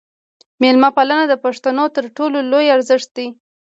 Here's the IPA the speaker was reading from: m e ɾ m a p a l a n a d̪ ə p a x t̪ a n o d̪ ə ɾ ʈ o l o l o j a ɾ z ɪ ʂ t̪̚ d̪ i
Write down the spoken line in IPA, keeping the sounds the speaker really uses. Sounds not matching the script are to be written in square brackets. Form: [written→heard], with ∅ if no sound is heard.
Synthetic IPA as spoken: m e [ɾ→l] m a p a l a n a d̪ ə p a [x→ʂ] t̪ a n o [d̪→t̪] ə ɾ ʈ o l o l o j a ɾ z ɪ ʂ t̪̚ d̪ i